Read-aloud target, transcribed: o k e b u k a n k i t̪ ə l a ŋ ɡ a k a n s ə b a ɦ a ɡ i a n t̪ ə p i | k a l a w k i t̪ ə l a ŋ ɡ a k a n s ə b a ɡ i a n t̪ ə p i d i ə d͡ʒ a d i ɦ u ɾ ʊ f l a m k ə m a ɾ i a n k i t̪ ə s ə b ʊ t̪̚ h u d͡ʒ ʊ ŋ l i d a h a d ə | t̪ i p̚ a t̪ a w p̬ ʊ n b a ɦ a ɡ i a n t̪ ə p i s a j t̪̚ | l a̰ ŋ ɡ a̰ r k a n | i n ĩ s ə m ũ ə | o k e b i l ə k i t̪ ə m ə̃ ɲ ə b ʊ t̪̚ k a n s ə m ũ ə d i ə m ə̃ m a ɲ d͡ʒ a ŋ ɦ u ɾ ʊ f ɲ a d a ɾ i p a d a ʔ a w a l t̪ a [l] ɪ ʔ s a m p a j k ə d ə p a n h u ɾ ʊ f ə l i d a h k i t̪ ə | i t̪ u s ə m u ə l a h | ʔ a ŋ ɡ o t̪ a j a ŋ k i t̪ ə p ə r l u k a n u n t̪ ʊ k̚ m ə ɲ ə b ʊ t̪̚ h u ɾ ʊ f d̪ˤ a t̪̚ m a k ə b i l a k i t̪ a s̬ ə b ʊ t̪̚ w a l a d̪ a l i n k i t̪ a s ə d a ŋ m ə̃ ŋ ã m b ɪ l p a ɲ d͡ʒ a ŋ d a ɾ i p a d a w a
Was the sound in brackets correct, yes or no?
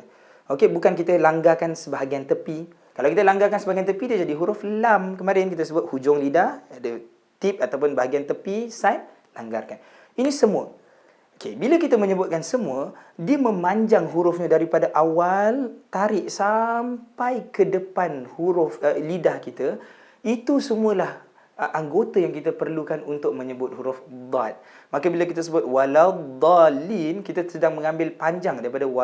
no